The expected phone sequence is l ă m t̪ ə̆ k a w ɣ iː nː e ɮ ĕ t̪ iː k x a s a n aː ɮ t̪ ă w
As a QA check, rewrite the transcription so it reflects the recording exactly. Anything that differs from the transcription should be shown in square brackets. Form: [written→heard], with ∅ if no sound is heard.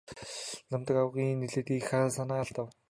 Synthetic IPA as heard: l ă m t̪ ə̆ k a w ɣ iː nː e ɮ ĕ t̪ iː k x a s a n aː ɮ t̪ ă w